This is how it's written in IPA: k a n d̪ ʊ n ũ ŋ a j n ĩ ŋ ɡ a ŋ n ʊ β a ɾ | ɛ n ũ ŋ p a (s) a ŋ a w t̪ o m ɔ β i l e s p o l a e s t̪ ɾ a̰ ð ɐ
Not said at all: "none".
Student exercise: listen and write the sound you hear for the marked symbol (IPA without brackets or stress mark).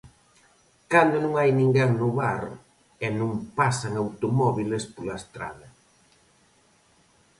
s